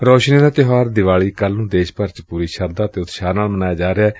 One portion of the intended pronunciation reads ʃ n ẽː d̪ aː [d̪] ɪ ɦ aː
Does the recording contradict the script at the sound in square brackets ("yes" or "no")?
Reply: yes